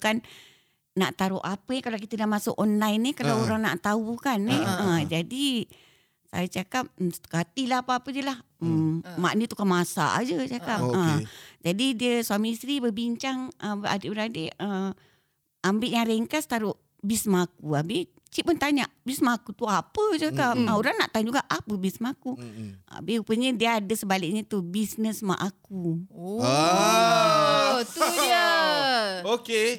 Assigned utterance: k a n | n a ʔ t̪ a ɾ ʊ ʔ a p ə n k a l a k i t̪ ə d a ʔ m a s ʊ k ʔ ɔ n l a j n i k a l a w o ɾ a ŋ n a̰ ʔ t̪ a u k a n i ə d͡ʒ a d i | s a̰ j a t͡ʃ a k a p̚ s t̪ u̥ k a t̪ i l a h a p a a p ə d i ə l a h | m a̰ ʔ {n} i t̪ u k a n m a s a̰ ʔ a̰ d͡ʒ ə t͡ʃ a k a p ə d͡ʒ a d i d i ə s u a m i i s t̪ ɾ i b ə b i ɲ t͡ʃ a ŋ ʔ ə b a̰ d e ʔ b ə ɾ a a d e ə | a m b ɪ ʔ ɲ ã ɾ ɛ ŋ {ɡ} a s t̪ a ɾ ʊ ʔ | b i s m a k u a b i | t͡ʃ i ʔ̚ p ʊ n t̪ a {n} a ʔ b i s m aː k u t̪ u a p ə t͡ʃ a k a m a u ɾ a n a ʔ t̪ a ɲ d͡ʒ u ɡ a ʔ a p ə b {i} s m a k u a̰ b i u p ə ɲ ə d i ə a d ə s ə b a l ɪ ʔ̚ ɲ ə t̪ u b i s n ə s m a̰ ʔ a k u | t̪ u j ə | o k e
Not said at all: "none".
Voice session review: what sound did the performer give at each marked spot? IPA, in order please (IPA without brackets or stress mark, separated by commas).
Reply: n, k, ɲ, i